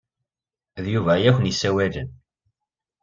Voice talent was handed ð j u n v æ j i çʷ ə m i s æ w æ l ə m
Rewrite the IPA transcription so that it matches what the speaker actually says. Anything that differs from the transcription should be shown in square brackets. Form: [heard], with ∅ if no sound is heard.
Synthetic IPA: ð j u [∅] v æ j [æ] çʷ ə [n] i s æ w æ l ə [n]